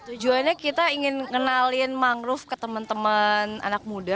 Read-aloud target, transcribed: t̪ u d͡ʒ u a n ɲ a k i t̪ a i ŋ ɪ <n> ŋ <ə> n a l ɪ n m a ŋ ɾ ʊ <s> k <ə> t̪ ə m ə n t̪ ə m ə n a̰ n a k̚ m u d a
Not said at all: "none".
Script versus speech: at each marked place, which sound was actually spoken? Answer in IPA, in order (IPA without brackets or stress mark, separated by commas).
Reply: n, ə, f, ə